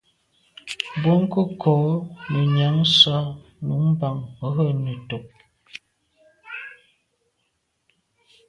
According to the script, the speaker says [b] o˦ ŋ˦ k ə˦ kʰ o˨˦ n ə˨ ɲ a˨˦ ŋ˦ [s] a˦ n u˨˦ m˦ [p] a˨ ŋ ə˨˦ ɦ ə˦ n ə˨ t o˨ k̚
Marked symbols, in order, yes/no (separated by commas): yes, yes, no